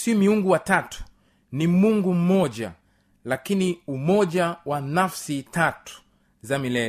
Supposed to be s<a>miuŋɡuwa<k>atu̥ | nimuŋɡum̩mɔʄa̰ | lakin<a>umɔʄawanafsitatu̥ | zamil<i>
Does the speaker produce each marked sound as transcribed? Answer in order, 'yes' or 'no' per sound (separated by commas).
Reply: no, no, no, no